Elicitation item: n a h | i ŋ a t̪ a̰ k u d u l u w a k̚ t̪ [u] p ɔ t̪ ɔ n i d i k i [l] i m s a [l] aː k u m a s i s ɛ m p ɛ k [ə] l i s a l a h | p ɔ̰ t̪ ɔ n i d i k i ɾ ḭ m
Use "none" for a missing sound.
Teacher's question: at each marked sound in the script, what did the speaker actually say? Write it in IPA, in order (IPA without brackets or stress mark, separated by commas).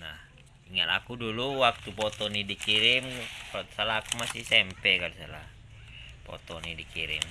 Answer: u, ɾ, l, a